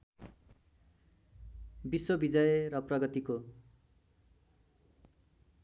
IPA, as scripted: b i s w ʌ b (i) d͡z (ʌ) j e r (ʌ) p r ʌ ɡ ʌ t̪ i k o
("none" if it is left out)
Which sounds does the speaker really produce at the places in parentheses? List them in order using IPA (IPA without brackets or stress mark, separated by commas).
i, ʌ, ʌ